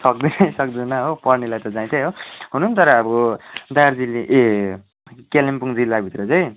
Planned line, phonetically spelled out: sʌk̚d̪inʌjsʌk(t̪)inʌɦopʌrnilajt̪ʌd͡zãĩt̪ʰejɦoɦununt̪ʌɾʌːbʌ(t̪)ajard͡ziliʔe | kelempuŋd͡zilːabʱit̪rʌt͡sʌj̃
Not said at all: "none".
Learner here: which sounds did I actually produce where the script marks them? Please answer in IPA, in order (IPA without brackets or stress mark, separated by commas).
d̪, d̪